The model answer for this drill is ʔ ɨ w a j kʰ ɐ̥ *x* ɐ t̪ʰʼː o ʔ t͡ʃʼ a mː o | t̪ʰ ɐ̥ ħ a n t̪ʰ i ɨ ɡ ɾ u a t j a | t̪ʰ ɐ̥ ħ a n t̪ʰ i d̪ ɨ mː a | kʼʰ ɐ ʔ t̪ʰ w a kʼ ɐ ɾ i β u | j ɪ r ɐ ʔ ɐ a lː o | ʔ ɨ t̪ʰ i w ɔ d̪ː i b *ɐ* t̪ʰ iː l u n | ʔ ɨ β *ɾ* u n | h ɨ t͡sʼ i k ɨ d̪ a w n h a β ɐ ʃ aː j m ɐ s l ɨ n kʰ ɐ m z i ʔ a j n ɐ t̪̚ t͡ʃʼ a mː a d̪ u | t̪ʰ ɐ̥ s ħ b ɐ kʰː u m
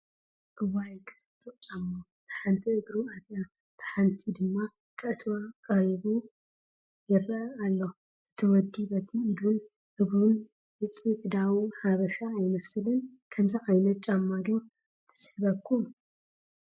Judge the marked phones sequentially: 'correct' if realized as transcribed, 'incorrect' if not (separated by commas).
incorrect, correct, correct